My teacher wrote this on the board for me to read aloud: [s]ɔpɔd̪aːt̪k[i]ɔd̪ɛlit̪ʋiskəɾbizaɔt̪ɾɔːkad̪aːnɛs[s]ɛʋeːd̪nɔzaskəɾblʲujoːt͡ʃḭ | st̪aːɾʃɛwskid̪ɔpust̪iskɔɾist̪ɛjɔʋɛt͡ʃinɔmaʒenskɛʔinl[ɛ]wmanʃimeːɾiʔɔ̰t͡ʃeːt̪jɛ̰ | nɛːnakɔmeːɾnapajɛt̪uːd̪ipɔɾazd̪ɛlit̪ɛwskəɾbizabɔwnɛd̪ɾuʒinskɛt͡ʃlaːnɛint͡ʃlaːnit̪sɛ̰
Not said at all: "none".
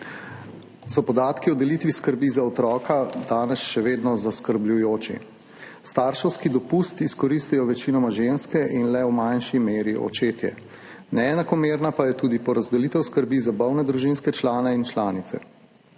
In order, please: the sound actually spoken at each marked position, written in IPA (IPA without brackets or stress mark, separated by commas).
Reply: s, i, ʃ, ɛ